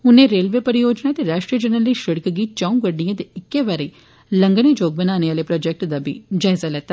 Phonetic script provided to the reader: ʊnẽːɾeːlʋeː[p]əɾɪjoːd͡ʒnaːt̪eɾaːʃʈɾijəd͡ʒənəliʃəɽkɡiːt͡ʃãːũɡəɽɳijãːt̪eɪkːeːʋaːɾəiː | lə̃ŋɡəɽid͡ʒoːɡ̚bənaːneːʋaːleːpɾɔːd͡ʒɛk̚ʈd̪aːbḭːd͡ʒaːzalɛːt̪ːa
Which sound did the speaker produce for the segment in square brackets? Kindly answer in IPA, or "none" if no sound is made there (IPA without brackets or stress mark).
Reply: p